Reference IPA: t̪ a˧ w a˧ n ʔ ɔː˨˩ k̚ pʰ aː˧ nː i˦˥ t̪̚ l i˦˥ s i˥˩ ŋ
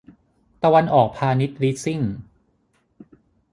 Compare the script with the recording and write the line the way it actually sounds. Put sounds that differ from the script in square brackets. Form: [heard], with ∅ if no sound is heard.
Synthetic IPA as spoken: t̪ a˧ w a˧ n ʔ ɔː˨˩ k̚ pʰ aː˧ [n] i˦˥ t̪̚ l i˦˥ s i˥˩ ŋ